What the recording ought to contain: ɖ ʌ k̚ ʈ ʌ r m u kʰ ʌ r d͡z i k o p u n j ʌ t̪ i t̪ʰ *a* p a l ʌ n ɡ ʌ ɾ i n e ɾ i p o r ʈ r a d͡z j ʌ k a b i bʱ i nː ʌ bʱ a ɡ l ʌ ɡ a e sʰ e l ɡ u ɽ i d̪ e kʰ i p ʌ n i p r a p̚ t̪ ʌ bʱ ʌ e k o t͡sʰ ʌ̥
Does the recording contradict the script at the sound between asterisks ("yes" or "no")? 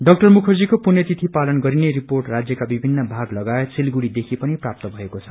yes